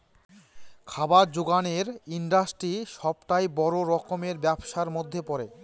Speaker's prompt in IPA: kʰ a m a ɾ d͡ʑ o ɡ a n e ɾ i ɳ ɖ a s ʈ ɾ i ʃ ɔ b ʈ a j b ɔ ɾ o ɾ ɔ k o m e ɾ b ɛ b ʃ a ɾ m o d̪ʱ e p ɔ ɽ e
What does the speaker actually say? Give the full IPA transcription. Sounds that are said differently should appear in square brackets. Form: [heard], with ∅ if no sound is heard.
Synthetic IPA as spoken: kʰ a [b] a ɾ d͡ʑ o ɡ a n e ɾ i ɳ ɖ a s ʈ ɾ i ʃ ɔ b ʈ a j b ɔ ɾ o ɾ ɔ k o m e ɾ b ɛ b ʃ a ɾ m o [d̪ʱː] e p ɔ [ɾ] e